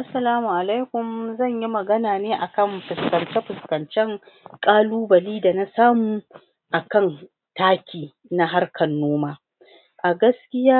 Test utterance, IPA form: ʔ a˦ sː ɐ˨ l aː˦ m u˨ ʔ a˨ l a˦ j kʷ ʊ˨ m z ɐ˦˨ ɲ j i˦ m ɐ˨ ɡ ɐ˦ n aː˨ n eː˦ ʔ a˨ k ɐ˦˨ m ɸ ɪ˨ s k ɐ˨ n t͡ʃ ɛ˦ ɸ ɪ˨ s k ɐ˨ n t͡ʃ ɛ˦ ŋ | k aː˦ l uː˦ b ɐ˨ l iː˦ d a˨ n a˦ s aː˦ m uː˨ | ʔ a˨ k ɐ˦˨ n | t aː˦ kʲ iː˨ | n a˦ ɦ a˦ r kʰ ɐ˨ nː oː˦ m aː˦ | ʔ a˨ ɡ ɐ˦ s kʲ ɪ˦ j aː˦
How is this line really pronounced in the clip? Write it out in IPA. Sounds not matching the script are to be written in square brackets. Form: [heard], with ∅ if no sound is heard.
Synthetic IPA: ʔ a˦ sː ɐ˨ l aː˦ m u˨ ʔ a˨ l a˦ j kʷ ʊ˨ m z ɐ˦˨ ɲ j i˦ m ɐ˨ ɡ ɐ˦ n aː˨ n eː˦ ʔ a˨ k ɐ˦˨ m ɸ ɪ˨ s k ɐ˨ n t͡ʃ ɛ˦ ɸ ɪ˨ s k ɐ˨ n t͡ʃ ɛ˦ ŋ | [kʼ] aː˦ l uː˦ b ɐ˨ l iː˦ d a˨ n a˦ s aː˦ m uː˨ | ʔ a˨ k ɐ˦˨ n | t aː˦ kʲ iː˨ | n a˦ ɦ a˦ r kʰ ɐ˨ nː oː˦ m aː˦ | ʔ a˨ ɡ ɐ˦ s kʲ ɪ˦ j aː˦